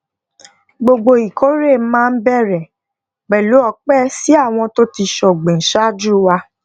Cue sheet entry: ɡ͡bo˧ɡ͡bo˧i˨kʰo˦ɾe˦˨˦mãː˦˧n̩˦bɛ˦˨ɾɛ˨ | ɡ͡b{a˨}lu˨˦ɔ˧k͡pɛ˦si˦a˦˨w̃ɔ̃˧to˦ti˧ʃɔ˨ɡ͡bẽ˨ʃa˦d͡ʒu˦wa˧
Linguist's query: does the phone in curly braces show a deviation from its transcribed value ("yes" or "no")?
yes